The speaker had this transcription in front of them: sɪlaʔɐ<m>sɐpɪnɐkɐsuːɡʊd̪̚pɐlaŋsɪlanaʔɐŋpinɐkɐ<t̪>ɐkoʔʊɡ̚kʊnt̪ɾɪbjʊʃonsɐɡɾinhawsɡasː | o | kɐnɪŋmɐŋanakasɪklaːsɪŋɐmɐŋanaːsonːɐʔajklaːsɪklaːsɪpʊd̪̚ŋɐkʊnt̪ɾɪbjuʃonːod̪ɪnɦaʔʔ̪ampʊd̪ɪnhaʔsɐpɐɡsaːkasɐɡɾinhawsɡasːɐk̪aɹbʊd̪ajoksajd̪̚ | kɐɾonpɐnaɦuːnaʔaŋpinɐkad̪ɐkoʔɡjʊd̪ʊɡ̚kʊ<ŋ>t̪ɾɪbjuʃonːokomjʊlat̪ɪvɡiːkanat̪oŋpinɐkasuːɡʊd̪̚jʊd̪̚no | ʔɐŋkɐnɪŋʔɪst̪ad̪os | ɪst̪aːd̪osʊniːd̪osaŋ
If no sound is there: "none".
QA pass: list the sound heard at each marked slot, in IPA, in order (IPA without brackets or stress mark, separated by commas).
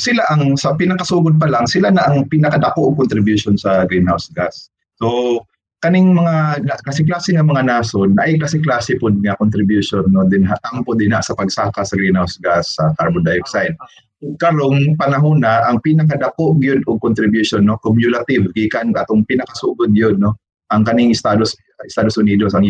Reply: ŋ, d̪, n